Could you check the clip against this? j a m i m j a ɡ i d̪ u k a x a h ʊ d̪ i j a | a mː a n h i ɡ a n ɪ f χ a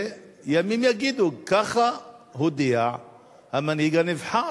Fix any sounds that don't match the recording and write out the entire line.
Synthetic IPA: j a m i m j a ɡ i d̪ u k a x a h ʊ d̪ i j a | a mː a n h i ɡ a n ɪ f ħ a